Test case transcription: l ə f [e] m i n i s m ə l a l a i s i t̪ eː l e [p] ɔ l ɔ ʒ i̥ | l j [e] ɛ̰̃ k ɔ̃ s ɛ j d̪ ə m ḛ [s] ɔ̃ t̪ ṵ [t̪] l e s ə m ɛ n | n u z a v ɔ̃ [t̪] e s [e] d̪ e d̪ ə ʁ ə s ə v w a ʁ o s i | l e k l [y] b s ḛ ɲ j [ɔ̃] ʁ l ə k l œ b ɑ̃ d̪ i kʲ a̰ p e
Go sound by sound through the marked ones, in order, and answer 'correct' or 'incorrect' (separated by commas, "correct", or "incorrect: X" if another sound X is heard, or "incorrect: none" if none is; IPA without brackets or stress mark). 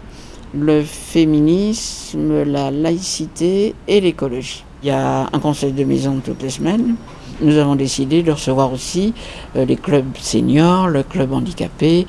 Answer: correct, incorrect: k, incorrect: a, incorrect: z, correct, incorrect: d̪, incorrect: i, incorrect: œ, incorrect: ɔ